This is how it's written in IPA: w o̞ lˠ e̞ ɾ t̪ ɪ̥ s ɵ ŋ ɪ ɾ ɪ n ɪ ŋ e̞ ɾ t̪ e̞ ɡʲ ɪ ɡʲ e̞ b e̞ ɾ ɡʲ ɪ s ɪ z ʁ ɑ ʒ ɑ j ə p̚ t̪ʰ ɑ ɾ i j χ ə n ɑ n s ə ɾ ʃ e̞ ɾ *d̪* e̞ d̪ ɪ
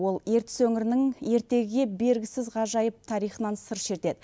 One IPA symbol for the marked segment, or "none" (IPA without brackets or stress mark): t̪